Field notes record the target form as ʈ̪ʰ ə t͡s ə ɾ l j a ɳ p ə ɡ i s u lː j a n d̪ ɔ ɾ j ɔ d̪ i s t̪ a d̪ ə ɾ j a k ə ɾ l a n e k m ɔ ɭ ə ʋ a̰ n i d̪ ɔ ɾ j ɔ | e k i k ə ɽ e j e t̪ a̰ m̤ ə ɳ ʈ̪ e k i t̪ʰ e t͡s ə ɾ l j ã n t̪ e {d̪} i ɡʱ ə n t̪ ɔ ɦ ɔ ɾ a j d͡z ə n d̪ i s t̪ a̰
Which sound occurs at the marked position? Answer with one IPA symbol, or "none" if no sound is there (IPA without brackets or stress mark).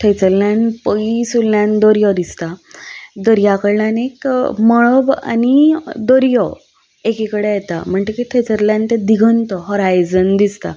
d̪